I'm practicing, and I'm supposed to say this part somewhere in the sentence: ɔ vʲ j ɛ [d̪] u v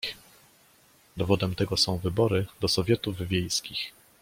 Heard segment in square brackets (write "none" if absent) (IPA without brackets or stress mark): t̪